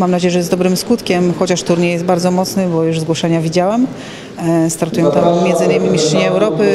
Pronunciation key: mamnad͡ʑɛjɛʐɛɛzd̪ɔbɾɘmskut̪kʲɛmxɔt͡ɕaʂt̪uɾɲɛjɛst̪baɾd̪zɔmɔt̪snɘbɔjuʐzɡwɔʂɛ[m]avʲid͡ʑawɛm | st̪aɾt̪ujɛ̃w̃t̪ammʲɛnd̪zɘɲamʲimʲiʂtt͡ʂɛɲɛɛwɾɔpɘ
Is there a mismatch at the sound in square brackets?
yes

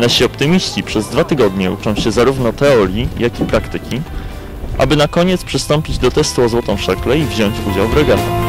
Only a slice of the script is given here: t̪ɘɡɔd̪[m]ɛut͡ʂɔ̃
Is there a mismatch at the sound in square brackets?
yes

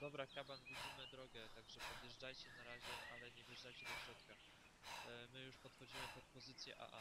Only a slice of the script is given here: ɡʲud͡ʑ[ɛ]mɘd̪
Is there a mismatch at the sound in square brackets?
yes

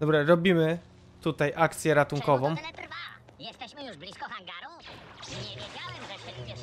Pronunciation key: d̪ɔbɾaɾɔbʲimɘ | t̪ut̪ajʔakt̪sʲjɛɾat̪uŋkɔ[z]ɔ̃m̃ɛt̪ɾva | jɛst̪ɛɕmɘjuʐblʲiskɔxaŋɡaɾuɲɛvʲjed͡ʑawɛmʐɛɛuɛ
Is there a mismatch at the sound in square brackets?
yes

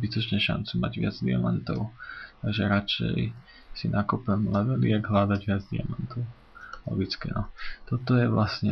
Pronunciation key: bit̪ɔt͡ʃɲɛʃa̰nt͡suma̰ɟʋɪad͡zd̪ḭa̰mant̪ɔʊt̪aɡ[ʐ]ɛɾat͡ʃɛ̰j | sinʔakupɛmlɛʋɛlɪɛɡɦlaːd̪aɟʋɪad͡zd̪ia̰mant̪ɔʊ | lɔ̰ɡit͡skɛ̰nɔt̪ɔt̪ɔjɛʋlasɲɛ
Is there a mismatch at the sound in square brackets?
yes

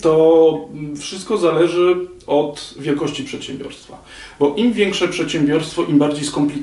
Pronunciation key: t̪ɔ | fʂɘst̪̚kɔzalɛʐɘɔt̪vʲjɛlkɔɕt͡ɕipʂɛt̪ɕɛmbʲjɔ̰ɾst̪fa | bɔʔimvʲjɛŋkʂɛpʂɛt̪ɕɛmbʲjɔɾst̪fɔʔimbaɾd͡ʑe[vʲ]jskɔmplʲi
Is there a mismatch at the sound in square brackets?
yes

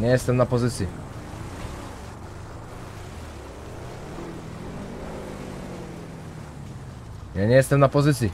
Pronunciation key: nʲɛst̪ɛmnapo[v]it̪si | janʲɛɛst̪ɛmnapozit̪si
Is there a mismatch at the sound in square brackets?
yes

